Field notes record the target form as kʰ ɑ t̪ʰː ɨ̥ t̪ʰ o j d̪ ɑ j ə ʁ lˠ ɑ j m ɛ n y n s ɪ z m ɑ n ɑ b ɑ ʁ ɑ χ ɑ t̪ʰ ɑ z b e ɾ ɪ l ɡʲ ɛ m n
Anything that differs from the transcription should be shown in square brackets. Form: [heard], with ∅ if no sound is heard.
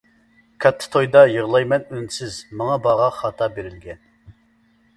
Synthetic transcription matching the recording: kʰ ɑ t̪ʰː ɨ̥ t̪ʰ o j d̪ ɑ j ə ʁ lˠ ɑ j m ɛ n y n s ɪ z m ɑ [ŋ] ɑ b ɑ ʁ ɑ χ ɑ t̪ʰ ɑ [∅] b e ɾ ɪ l ɡʲ ɛ [∅] n